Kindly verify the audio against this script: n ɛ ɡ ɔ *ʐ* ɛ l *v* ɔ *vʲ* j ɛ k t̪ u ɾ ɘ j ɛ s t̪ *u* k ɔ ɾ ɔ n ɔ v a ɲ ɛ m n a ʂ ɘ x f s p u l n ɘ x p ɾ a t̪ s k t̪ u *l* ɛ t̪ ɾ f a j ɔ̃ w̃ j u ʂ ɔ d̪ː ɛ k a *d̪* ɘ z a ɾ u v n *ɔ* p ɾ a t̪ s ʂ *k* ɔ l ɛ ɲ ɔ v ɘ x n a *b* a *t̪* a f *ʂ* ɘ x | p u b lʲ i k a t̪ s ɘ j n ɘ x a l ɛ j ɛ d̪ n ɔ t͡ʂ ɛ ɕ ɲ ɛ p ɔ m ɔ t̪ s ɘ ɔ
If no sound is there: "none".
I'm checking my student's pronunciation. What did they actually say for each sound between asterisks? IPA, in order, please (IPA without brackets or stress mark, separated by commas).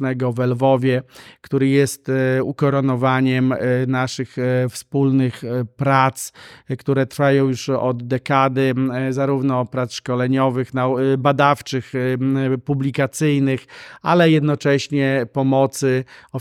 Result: v, v, vʲ, u, ɾ, d̪, ɔ, k, b, d̪, t͡ʂ